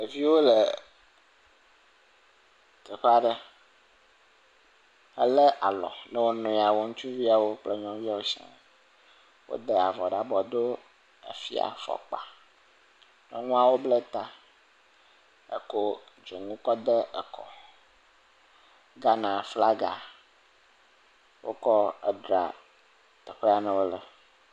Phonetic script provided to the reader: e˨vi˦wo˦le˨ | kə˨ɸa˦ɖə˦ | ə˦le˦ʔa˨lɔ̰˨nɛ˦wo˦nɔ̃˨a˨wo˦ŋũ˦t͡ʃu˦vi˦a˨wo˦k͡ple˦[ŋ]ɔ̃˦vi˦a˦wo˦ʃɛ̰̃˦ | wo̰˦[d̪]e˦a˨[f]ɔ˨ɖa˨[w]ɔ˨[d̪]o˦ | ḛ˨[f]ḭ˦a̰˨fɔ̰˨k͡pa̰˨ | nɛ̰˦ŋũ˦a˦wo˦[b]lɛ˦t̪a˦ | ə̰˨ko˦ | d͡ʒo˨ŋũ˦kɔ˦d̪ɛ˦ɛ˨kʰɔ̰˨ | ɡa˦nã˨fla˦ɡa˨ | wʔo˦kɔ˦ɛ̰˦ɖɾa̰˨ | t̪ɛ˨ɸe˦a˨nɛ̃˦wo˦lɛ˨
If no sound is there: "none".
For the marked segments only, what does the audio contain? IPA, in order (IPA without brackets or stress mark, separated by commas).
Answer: ɲ, d̪, v, b, d̪, f, b